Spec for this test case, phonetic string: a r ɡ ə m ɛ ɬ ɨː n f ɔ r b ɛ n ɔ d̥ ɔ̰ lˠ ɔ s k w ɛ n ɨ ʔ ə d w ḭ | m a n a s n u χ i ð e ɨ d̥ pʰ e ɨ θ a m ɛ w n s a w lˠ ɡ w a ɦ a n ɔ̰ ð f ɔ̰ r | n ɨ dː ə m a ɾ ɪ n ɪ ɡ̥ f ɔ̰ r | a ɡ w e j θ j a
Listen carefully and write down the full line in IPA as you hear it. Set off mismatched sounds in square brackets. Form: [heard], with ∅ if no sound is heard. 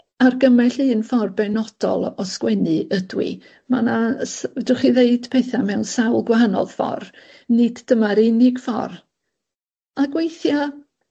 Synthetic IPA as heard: a r ɡ ə m ɛ ɬ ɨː n f ɔ r b ɛ n ɔ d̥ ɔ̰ lˠ ɔ s k w ɛ n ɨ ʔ ə d w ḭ | m a n a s [d] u χ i ð e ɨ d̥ pʰ e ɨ θ a m ɛ w n s a w lˠ ɡ w a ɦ a n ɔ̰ ð f ɔ̰ r | n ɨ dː ə m a ɾ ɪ n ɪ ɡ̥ f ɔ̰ r | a ɡ w e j θ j a